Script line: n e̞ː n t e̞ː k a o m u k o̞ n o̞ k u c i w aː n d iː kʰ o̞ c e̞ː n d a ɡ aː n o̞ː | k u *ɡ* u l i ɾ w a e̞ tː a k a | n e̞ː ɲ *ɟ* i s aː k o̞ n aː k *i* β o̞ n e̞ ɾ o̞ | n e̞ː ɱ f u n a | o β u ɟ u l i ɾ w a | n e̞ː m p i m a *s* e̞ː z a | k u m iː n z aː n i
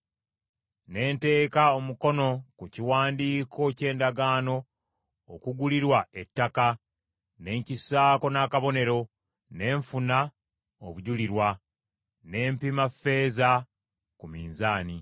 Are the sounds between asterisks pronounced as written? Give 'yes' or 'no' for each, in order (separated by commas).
yes, no, no, no